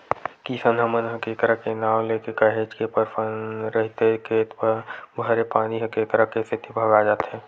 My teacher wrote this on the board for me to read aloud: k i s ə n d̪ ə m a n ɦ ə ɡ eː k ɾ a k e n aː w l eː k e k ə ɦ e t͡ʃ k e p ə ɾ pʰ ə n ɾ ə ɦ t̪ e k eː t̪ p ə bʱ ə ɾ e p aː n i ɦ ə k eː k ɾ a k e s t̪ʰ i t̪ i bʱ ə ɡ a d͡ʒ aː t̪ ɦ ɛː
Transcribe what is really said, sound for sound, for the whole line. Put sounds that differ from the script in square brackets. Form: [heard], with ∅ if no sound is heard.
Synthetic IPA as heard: k i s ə n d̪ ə m [ə] n ɦ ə [k] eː k ɾ a k e n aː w l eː k e k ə ɦ e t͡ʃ k e p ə ɾ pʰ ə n ɾ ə ɦ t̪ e k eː t̪ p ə bʱ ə ɾ e p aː n i ɦ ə k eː k ɾ a k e s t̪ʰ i t̪ i bʱ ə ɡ a d͡ʒ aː t̪ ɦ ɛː